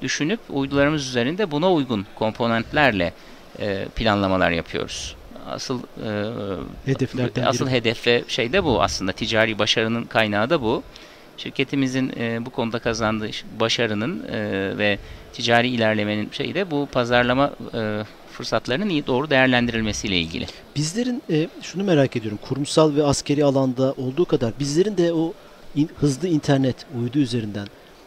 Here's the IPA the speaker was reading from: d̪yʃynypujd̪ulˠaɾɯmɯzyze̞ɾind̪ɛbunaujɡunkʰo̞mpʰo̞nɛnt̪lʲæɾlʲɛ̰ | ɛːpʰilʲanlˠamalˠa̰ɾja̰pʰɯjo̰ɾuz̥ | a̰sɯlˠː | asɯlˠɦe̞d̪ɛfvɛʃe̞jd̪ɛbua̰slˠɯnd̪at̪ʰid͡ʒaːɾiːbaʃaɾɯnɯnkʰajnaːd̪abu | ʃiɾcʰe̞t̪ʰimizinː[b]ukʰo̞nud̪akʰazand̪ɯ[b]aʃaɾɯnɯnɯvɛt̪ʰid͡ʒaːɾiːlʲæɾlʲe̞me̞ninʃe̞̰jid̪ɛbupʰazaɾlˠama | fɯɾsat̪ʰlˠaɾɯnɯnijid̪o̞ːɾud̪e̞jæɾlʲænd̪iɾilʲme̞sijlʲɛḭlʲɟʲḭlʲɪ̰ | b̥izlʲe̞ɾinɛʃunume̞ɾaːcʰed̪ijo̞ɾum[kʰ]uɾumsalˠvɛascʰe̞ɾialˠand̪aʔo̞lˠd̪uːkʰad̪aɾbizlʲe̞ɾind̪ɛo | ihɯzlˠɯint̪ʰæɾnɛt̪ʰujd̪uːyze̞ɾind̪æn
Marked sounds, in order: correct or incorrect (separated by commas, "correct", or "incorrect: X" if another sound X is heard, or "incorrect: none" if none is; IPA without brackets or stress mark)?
correct, correct, correct